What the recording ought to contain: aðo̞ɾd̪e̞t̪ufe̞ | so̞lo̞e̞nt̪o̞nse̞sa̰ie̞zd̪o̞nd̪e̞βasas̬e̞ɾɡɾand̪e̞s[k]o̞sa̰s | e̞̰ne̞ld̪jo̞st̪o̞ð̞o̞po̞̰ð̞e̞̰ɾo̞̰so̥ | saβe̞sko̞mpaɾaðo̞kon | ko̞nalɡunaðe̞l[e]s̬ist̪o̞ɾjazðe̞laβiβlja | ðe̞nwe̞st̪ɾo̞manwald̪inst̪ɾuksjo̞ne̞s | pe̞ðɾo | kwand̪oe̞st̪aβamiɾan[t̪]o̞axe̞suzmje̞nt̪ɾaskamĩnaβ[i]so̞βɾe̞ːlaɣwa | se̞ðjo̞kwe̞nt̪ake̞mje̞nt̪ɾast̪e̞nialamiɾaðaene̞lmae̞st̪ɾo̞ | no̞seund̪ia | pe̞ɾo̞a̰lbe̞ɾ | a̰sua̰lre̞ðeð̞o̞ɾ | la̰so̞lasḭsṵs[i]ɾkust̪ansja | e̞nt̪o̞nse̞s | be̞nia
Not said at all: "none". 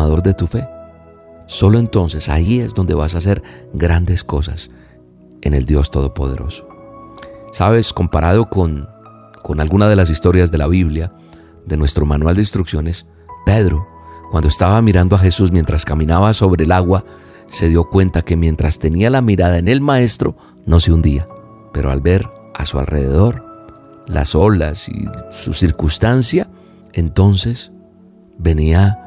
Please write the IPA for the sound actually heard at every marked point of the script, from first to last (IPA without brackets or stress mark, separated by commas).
k, a, d̪, a, i